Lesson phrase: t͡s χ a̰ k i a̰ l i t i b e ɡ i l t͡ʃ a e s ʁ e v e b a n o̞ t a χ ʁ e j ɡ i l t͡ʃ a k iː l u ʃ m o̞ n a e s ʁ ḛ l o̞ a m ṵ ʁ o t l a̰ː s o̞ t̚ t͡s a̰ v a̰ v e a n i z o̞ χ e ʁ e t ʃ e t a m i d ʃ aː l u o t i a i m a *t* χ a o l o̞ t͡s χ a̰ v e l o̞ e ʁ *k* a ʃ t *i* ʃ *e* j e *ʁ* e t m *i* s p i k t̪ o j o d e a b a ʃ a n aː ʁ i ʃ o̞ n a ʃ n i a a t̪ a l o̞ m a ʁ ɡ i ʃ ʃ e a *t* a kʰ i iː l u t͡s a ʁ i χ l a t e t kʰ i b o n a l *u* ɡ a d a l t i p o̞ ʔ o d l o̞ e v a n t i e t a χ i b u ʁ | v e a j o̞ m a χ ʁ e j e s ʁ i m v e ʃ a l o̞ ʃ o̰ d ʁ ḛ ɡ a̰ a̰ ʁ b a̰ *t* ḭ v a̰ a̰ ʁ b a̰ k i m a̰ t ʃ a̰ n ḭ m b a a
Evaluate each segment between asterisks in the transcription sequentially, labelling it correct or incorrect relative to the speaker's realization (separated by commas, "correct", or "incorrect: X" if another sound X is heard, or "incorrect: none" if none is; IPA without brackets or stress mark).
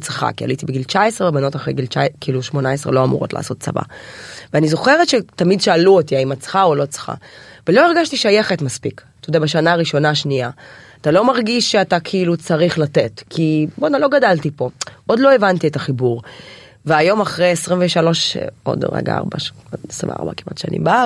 incorrect: t͡s, incorrect: ɡ, correct, incorrect: a, incorrect: χ, incorrect: a, correct, incorrect: o, incorrect: s